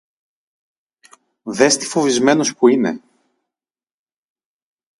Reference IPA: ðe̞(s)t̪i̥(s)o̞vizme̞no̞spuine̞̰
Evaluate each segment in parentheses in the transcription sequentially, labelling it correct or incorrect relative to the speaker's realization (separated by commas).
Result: correct, incorrect